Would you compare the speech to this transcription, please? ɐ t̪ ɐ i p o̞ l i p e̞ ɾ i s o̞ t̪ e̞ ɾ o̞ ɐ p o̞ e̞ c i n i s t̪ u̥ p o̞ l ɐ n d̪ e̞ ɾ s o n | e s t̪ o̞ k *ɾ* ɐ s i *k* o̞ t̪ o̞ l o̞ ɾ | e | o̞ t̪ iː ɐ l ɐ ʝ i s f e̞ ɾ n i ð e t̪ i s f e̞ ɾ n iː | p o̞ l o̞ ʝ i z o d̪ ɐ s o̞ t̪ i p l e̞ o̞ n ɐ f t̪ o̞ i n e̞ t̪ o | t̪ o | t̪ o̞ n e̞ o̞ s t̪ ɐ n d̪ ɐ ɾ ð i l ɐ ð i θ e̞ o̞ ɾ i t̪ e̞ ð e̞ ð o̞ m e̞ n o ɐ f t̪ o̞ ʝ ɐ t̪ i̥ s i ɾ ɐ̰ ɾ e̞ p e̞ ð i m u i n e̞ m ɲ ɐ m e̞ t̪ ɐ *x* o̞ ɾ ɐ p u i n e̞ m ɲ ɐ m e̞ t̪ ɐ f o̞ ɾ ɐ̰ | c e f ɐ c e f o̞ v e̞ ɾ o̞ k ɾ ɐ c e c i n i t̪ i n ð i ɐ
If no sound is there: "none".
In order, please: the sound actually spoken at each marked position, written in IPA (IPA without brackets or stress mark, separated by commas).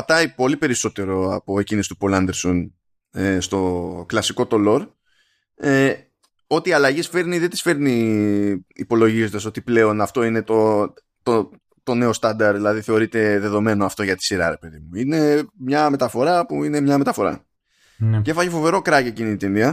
l, k, f